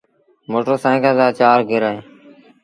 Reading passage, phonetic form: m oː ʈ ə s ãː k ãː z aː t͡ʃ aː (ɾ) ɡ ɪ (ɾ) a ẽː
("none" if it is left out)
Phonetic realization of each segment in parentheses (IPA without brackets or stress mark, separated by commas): ɾ, ɾ